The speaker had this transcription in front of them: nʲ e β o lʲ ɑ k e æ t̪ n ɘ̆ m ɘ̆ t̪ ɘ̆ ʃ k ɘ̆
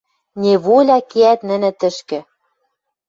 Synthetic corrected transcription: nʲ e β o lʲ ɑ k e æ t̪ n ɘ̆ n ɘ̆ t̪ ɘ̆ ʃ k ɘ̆